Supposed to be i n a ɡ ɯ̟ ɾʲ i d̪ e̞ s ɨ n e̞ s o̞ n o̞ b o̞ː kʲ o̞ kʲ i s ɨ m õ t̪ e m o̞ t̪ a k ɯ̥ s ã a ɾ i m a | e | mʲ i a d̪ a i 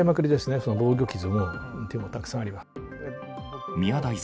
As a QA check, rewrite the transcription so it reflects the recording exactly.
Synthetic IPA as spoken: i m a k ɯ̟ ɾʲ i d̪ e̞ s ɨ n e̞ s o̞ n o̞ b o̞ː ɡʲ o̞ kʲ i z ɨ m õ t̪ e m o̞ t̪ a k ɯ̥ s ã a ɾ i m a | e | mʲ i a d̪ a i